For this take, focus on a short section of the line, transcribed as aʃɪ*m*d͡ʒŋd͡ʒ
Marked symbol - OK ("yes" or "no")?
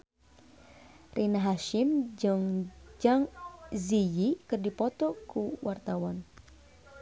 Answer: yes